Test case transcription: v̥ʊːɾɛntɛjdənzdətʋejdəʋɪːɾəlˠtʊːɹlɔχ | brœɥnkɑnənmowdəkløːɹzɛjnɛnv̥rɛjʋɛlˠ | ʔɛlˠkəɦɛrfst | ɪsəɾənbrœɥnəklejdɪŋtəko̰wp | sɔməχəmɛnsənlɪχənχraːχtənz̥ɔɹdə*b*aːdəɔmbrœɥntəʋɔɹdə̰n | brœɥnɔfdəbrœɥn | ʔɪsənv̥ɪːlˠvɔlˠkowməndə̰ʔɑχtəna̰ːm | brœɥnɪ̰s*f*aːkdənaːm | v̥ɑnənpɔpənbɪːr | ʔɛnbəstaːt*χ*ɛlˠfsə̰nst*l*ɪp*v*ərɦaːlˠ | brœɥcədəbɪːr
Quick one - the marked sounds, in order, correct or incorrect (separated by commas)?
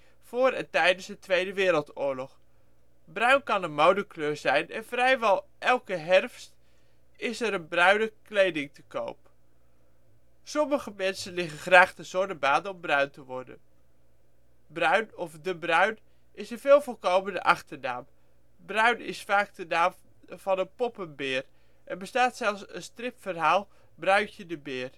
correct, correct, incorrect, incorrect, incorrect